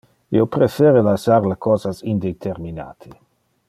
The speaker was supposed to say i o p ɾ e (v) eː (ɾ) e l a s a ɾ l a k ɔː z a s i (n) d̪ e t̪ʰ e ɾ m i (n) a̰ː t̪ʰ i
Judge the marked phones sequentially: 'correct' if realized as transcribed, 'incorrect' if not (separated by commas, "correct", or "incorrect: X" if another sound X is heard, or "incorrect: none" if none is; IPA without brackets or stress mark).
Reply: incorrect: f, correct, correct, correct